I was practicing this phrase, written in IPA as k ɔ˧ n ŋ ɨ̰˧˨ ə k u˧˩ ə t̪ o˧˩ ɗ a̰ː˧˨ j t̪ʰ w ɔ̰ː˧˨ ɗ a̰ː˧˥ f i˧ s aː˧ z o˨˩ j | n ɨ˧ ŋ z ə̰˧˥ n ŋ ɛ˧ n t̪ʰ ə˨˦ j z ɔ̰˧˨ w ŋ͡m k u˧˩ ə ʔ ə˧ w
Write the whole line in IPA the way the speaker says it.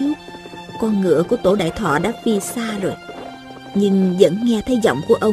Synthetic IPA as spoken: k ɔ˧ n ŋ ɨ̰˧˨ ə k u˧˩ ə t̪ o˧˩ ɗ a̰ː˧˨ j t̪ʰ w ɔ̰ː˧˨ ɗ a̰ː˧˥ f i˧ s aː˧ z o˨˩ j | ɲ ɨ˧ ŋ z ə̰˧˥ n ŋ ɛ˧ t̪ʰ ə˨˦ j z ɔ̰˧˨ w ŋ͡m k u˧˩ ə ʔ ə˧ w